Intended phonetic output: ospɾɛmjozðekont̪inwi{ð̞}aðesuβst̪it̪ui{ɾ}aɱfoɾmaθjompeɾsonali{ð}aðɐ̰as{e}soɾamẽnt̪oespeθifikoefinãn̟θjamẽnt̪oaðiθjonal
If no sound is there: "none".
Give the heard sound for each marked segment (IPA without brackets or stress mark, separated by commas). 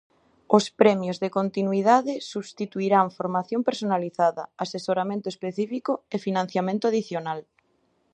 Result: ð̞, ɾ, θ, e